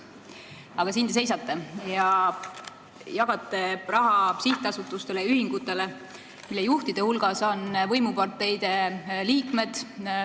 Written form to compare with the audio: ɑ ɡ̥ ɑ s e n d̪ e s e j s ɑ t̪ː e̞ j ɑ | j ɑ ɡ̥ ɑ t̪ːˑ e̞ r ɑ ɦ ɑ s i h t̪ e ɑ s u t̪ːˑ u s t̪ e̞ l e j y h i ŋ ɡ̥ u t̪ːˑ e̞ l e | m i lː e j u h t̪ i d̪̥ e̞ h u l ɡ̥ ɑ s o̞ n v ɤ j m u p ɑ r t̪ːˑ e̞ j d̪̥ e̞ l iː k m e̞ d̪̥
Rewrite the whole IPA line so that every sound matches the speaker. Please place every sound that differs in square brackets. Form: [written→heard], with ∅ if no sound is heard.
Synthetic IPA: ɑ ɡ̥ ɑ s [e→i] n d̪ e s e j s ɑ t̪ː e̞ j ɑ | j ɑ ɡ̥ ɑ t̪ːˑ e̞ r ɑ ɦ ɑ s i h t̪ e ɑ s u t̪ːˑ u s t̪ e̞ l e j y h i ŋ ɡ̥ u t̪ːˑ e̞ l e | m i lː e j u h t̪ i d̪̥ e̞ h u l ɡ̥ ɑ s o̞ n v ɤ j m u p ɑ r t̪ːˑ e̞ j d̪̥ e̞ l iː k m e̞ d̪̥